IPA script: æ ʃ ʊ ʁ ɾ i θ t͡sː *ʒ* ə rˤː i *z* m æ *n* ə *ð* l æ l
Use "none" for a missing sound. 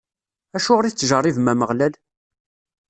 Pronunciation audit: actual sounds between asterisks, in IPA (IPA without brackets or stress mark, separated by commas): ʒ, v, m, ʁ